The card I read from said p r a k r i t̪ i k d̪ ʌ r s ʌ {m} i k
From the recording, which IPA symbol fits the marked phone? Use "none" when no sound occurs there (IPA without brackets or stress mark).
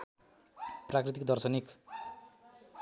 n